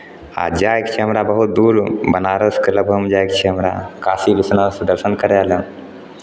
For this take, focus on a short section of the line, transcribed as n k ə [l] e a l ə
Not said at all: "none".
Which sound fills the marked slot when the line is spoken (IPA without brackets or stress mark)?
ɾ